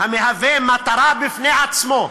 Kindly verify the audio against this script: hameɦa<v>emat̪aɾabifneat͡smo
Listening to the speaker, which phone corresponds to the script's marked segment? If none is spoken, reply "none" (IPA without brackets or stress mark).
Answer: v